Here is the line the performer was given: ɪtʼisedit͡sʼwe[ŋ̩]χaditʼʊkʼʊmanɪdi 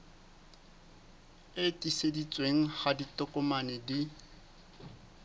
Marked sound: correct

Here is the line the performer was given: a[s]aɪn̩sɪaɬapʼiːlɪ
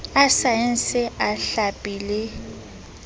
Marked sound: correct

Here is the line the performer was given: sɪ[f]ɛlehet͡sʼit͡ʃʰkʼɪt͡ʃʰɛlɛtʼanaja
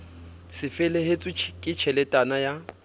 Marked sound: correct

